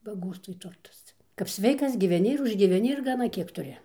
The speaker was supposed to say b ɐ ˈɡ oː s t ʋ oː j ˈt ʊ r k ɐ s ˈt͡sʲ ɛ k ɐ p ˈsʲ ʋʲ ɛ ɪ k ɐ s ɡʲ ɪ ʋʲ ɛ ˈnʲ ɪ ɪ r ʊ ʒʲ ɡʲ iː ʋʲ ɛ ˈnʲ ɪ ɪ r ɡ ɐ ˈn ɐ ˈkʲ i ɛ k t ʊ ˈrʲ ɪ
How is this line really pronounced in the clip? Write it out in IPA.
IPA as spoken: b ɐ ˈɡ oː s t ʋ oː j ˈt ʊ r t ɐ s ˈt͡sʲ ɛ k ɐ p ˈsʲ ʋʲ ɛ ɪ k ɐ s ɡʲ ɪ ʋʲ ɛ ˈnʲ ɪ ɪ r ʊ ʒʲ ɡʲ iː ʋʲ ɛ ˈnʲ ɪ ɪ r ɡ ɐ ˈn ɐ ˈkʲ i ɛ k t ʊ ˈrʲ ɪ